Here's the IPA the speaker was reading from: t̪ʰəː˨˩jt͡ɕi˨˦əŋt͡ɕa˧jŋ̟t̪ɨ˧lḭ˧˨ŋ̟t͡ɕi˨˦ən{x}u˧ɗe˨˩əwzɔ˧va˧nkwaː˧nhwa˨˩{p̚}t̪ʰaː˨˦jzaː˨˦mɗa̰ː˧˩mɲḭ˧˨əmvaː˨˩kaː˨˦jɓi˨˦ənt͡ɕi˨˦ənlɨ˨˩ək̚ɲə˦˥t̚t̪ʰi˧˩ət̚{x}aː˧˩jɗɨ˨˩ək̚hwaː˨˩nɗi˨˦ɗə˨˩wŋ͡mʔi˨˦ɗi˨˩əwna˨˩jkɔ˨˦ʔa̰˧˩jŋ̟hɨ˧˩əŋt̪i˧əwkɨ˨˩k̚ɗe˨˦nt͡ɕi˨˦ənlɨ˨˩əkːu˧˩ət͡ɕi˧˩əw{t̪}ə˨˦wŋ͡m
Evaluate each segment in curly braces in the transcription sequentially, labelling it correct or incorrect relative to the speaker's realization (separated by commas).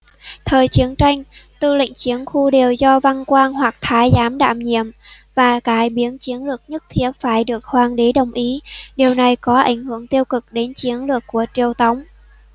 correct, incorrect, incorrect, correct